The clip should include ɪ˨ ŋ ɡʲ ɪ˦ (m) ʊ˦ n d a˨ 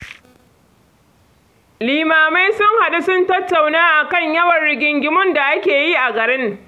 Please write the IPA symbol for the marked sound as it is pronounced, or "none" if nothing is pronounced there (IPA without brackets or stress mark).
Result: m